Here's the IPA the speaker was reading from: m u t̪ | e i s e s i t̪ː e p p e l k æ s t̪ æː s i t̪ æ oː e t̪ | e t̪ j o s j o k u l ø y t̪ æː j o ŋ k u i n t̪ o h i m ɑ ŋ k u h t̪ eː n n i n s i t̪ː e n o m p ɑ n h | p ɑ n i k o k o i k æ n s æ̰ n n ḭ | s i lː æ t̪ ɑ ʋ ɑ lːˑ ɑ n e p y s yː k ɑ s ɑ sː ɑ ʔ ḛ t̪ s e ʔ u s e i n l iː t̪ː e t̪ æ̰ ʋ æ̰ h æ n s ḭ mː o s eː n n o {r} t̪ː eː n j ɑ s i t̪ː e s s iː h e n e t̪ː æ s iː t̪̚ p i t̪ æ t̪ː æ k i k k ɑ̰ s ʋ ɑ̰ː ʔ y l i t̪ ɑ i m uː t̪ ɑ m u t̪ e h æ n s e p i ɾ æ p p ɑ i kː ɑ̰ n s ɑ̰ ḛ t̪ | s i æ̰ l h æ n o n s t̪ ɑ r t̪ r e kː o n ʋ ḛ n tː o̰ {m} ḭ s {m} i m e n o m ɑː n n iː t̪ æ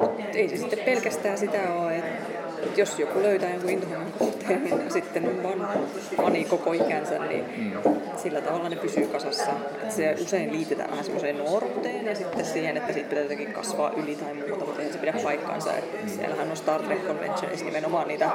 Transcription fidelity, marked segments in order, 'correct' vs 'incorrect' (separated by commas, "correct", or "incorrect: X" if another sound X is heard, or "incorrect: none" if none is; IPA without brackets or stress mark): correct, incorrect: n, incorrect: n